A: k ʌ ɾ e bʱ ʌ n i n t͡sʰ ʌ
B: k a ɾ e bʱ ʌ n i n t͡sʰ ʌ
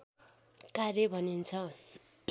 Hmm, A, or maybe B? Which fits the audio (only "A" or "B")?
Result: B